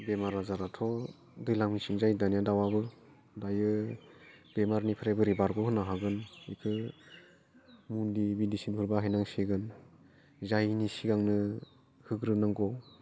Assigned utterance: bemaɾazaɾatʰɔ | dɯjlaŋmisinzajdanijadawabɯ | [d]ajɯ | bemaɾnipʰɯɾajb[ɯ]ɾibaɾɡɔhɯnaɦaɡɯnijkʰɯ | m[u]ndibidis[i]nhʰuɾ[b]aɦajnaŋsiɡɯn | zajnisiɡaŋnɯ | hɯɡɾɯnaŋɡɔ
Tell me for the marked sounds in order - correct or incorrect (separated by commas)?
correct, correct, correct, correct, correct